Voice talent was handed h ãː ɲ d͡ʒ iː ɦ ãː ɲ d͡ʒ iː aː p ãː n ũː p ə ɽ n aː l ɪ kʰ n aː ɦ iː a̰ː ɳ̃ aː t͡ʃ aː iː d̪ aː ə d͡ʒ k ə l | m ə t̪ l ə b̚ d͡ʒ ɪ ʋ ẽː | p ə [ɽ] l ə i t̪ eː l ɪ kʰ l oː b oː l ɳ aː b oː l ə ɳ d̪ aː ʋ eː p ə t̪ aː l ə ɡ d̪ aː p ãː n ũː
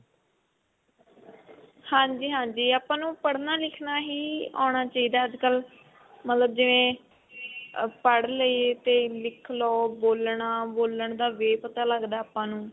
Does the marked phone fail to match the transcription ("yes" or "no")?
no